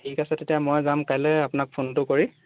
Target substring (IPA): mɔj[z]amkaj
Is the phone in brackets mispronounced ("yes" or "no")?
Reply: no